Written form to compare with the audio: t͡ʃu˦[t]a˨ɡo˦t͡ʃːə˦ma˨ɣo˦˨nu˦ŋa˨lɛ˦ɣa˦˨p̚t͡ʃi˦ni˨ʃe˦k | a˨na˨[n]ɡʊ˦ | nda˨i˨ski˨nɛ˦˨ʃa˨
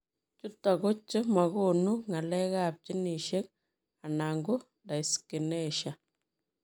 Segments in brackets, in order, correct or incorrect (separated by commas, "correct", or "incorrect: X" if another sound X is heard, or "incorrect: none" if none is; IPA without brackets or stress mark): correct, incorrect: ŋ